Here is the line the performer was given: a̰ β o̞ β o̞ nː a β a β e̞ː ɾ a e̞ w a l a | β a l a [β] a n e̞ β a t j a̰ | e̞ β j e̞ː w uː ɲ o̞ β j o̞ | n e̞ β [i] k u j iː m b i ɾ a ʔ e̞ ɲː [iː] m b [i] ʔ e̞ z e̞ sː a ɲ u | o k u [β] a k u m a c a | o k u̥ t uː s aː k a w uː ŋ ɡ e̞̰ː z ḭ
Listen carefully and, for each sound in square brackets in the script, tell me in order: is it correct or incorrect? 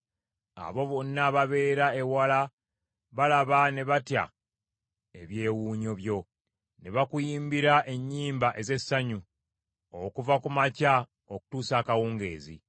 correct, incorrect, correct, incorrect, incorrect

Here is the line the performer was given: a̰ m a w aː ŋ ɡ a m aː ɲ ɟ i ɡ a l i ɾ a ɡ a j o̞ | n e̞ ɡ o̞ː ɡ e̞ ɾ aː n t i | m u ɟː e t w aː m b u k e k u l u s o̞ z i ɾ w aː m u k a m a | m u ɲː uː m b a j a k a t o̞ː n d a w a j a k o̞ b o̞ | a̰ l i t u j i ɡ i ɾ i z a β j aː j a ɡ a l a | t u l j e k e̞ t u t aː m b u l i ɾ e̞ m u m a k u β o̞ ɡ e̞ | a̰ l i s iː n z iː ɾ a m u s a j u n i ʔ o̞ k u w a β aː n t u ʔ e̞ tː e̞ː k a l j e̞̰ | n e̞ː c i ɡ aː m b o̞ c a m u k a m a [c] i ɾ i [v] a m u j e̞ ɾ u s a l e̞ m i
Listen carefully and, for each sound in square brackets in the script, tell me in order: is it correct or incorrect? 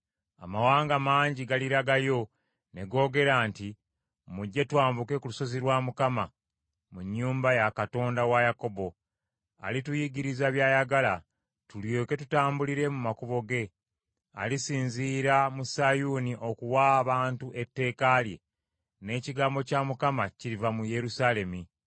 correct, correct

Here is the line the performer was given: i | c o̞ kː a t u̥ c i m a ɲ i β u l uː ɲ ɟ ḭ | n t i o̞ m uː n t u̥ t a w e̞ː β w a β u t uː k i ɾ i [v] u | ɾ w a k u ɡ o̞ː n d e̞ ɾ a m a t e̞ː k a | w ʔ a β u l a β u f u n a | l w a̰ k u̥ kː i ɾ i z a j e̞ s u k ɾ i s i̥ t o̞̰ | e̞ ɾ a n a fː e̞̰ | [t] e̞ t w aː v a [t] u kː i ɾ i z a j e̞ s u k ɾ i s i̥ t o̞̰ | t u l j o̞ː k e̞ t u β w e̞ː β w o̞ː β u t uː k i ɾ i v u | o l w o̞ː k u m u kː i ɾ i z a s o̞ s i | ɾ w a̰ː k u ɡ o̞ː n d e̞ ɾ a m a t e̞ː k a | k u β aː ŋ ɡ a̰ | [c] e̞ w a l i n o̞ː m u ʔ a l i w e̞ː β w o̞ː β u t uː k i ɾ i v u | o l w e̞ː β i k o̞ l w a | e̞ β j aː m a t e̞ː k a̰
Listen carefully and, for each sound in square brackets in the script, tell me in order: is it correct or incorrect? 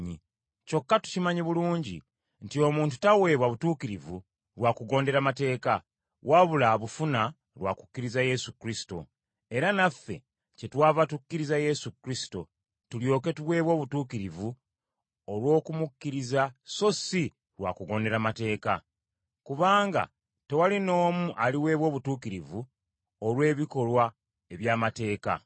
correct, incorrect, correct, incorrect

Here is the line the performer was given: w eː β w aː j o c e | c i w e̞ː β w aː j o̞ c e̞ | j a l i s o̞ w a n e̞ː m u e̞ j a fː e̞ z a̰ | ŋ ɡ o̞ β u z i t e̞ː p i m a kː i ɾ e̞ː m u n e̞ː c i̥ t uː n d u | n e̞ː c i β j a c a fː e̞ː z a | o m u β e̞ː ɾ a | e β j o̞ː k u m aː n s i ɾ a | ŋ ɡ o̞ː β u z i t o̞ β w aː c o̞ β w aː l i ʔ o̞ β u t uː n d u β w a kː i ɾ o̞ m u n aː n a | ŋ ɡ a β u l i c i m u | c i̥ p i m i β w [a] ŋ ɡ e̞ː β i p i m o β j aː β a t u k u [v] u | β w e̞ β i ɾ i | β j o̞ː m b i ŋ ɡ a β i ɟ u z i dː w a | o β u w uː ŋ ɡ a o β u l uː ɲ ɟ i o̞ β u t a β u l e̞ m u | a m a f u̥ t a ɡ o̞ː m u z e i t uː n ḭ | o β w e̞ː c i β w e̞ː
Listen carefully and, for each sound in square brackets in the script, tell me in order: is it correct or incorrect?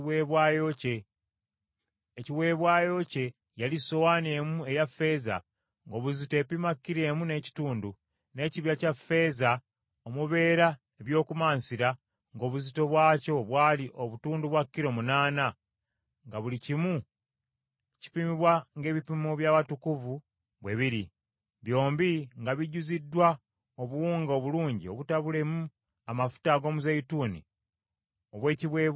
correct, correct

